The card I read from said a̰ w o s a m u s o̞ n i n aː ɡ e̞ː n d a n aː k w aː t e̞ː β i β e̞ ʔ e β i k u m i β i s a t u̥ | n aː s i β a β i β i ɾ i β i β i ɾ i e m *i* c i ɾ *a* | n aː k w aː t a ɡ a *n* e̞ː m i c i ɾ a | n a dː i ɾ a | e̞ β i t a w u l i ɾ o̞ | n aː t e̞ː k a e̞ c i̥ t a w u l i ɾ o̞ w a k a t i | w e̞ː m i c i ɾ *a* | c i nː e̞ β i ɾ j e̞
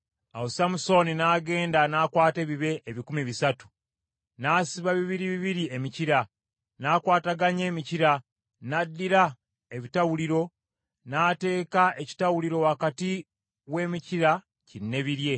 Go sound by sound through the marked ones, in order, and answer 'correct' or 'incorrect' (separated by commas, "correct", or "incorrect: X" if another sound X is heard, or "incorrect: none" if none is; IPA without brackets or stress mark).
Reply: correct, correct, incorrect: ɲ, correct